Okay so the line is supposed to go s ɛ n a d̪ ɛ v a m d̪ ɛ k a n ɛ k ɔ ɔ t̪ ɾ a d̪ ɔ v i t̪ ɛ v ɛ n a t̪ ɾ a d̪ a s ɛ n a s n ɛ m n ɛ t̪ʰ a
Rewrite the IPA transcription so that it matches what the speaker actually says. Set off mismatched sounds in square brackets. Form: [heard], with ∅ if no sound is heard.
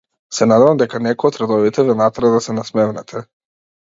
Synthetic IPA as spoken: s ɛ n a d̪ ɛ v a m d̪ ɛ k a n ɛ k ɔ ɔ t̪ ɾ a d̪ ɔ v i t̪ ɛ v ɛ n a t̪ ɾ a d̪ a s ɛ n a s [m] ɛ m n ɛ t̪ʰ [ɛ]